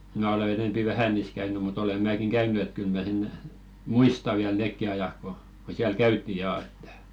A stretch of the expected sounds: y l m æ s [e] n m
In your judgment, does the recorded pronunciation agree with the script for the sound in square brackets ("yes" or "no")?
yes